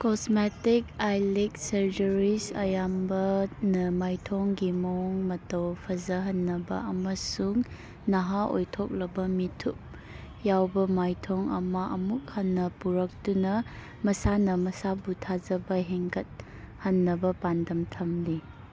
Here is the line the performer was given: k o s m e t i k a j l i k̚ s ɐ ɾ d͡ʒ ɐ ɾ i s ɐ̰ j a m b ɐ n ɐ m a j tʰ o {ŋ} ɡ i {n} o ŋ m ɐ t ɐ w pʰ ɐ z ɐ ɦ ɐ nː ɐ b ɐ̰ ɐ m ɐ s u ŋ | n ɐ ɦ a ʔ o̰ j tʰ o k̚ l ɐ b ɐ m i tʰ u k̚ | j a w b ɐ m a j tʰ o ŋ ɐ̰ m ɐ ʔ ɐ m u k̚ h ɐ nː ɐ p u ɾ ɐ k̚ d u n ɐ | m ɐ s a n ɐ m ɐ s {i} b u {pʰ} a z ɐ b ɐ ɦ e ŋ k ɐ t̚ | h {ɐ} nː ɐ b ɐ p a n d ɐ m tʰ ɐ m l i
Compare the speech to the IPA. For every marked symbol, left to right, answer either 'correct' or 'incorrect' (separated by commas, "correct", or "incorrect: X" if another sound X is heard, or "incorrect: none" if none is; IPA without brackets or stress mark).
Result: correct, incorrect: m, incorrect: a, incorrect: tʰ, correct